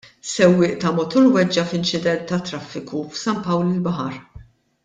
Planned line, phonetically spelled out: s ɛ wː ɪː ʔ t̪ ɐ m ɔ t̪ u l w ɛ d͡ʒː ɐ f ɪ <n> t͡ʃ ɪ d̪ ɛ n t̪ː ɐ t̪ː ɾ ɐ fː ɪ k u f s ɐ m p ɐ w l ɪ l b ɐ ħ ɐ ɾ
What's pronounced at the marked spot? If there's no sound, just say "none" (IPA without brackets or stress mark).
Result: n